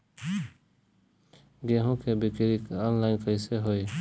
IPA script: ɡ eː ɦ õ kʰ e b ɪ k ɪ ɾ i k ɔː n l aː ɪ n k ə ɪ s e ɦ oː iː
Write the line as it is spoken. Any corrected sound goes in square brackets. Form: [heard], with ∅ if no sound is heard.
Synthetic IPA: ɡ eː ɦ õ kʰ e b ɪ k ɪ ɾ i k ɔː n l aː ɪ n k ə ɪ s e ɦ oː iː